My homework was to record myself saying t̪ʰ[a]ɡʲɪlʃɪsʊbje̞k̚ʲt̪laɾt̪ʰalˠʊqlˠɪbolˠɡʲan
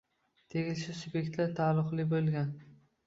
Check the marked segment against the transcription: incorrect: e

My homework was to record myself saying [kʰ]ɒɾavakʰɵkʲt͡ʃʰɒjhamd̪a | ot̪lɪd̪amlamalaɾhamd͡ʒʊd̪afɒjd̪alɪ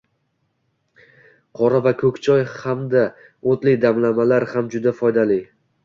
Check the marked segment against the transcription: incorrect: qʰ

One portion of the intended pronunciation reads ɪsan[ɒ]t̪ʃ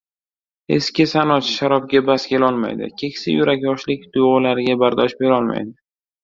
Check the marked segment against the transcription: correct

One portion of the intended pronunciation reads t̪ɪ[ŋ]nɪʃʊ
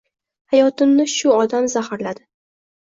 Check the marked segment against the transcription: incorrect: m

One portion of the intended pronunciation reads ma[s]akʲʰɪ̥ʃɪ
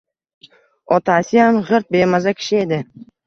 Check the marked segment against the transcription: incorrect: z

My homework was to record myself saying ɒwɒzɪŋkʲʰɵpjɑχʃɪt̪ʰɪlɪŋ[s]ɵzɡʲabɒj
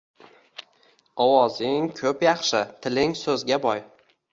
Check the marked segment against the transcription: correct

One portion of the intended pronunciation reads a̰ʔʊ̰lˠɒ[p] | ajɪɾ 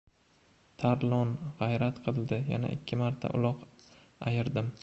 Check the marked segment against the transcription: incorrect: q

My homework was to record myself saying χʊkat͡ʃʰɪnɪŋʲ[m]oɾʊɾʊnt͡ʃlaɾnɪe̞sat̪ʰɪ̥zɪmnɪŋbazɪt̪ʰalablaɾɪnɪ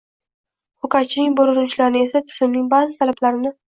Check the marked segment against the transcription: incorrect: b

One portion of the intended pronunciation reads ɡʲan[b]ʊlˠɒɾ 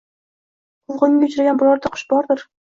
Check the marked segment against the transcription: correct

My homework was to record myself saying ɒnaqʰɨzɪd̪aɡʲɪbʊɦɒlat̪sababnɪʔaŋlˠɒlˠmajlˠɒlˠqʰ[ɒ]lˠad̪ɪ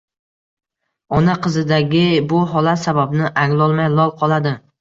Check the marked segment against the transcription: correct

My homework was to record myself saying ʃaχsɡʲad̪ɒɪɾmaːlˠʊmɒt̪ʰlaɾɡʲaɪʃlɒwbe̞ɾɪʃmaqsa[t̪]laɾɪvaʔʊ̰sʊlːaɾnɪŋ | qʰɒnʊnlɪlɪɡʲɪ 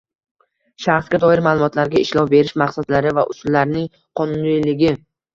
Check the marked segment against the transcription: incorrect: d̪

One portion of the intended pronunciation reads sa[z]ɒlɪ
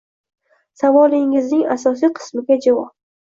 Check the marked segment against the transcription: incorrect: v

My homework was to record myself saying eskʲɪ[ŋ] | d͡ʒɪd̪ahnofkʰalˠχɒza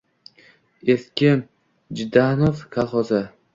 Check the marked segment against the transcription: incorrect: n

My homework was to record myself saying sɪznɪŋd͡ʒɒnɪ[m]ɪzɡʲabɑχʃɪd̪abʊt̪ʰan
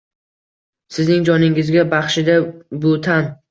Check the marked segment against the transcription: incorrect: ŋ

